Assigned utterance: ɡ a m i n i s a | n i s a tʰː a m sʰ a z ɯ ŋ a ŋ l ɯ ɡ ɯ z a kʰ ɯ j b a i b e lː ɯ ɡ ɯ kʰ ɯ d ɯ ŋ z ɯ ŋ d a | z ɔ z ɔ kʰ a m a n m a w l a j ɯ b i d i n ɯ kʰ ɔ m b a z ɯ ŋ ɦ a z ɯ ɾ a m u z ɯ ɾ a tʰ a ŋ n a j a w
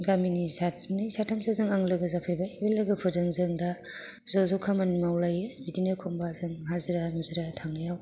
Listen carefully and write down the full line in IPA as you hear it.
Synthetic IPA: ɡ a m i n i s a | n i s a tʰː a m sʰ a z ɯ ŋ a ŋ l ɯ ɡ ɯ z a pʰ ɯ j b a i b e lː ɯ ɡ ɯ pʰ ɯ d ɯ ŋ z ɯ ŋ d a | z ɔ z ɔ kʰ a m a n m a w l a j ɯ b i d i n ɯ kʰ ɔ m b a z ɯ ŋ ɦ a z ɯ ɾ a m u z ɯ ɾ a tʰ a ŋ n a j a w